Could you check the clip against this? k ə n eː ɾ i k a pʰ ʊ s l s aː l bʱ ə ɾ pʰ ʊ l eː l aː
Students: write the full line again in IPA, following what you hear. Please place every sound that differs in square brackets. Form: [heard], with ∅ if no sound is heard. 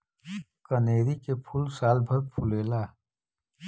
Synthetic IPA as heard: k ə n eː ɾ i k [e] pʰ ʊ [∅] l s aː l bʱ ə ɾ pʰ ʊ l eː l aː